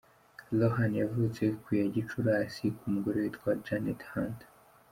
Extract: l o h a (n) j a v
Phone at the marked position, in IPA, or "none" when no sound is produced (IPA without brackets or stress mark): n